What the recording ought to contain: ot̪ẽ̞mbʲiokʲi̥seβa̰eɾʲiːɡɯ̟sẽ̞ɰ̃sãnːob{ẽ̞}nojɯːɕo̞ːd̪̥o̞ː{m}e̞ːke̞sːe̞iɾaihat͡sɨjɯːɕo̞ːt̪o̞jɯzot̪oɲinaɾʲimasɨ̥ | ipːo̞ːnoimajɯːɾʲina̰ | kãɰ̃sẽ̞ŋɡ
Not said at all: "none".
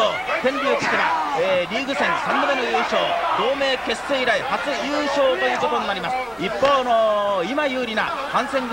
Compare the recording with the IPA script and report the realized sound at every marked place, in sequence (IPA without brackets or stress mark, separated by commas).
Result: e̞, m